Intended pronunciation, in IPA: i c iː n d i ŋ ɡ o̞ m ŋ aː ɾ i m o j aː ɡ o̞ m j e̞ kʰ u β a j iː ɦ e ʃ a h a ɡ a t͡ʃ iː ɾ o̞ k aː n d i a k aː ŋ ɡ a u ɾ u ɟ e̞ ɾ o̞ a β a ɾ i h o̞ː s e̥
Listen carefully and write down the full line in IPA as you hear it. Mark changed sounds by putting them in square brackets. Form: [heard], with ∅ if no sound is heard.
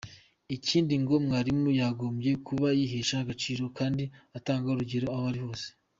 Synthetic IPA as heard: i c iː n d i ŋ ɡ o̞ m ŋ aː ɾ i m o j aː ɡ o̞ m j e̞ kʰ u β a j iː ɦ e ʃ a h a ɡ a t͡ʃ iː ɾ o̞ k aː n d i a [t] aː ŋ ɡ a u ɾ u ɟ e̞ ɾ o̞ a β a ɾ i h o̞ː s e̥